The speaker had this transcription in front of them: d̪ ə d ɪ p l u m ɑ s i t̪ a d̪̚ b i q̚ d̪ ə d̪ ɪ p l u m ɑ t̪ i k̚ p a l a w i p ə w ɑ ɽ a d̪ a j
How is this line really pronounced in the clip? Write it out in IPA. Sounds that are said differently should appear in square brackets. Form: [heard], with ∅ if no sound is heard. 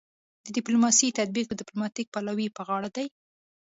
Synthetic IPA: d̪ ə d ɪ p l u m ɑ s i t̪ a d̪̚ b i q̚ d̪ ə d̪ ɪ p l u m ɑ t̪ i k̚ p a l a w i p ə [ɣ] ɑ ɽ a d̪ a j